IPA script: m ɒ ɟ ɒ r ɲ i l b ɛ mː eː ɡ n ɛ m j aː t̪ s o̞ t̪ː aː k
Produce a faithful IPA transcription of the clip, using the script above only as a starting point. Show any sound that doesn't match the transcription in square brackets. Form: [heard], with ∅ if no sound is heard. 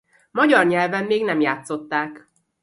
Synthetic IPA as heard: m ɒ ɟ ɒ r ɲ [ɛ] l [v] ɛ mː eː ɡ n ɛ m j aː t̪ s o̞ t̪ː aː k